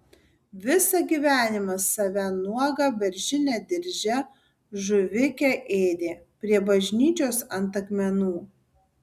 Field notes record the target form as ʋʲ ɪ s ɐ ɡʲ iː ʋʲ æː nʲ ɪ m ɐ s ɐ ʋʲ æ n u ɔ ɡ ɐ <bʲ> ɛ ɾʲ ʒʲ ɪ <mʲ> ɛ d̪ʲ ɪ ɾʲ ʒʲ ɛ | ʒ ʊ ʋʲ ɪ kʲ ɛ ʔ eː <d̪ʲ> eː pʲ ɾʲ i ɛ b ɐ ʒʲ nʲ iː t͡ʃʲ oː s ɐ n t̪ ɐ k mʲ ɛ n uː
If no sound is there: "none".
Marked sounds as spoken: bʲ, nʲ, d̪ʲ

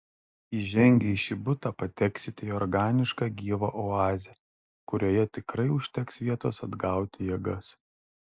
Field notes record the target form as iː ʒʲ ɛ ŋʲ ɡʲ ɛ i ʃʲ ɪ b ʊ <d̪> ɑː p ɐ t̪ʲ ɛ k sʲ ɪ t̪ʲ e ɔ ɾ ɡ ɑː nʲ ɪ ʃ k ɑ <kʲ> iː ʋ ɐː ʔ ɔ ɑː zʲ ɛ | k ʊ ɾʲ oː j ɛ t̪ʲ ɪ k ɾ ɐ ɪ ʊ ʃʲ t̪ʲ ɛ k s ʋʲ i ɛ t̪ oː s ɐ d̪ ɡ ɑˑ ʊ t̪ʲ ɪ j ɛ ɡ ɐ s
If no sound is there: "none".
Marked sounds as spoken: t̪, ɡʲ

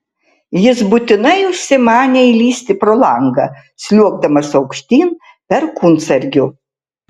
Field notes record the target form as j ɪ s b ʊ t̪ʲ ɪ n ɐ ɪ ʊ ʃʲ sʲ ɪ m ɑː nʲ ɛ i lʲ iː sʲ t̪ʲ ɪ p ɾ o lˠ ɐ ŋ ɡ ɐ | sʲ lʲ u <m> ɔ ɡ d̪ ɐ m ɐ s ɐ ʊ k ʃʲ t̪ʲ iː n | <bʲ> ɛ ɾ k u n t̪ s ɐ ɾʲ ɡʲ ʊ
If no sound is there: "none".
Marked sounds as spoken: none, pʲ

